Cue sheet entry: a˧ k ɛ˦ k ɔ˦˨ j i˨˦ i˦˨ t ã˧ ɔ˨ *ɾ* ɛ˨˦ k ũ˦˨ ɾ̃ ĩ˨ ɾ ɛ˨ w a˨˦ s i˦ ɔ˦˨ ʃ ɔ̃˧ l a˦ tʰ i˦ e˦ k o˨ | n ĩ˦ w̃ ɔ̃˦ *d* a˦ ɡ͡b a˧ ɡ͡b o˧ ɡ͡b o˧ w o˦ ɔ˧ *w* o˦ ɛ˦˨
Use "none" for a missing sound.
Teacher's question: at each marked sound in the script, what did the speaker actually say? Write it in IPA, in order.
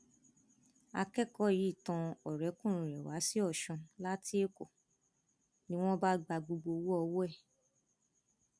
ɾ, b, w

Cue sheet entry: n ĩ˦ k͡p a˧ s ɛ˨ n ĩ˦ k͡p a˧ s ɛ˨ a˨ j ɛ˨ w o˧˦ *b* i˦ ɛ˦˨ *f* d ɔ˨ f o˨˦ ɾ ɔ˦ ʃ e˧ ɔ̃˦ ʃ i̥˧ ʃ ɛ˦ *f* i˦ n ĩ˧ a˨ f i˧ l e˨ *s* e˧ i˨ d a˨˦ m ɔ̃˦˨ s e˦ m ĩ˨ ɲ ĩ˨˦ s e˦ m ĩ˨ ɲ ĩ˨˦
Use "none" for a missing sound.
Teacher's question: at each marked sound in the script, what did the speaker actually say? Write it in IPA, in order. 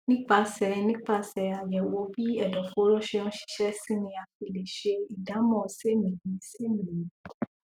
b, none, s, ʃ

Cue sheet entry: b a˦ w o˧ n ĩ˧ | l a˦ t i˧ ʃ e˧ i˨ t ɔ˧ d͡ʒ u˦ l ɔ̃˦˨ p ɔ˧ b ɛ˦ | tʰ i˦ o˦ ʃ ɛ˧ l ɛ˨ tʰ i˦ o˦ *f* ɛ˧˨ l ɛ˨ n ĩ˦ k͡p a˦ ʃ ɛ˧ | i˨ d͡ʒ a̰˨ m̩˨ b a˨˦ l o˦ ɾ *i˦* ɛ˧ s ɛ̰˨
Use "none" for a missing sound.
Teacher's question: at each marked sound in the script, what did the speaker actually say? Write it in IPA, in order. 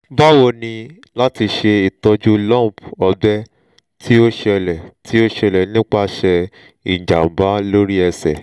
ʃ, i˦

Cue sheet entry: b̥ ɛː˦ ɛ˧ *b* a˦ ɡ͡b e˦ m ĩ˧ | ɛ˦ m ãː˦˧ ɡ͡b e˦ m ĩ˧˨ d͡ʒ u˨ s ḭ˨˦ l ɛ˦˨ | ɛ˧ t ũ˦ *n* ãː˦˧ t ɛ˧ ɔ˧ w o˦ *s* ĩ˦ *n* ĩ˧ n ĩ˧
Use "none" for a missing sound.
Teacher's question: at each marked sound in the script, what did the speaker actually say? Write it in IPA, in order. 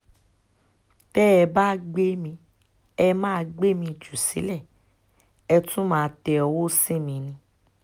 b, m, s, m

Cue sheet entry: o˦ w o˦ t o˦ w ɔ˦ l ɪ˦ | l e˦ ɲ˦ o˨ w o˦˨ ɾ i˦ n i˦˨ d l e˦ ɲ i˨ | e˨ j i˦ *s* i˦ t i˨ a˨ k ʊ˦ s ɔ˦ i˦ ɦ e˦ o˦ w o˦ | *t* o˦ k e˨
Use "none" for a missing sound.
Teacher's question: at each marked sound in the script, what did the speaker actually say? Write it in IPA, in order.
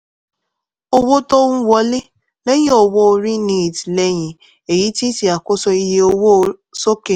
t, s

